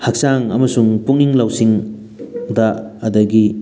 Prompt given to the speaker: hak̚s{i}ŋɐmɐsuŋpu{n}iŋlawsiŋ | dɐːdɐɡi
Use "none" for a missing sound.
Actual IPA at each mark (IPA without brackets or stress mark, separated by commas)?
a, ŋ